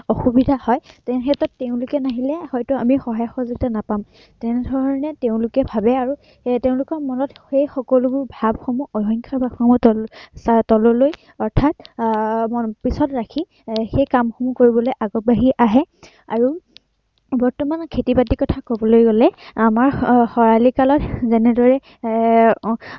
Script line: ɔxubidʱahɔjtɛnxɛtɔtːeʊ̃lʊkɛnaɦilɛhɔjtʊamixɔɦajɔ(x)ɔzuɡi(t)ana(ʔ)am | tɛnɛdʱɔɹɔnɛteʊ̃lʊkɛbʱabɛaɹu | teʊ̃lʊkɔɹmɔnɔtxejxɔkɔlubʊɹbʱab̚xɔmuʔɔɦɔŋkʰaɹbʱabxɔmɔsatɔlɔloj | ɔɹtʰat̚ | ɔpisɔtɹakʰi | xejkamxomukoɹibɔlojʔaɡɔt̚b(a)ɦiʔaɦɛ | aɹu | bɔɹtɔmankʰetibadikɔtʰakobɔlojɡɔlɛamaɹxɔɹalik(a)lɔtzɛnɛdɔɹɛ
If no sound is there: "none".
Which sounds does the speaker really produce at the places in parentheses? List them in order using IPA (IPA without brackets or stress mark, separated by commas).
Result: x, t, p, a, a